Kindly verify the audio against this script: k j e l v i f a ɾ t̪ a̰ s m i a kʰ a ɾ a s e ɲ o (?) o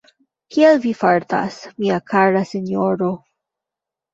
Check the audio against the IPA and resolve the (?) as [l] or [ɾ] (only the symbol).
ɾ